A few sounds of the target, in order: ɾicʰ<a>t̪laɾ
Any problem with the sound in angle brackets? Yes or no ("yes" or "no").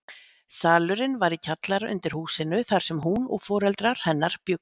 no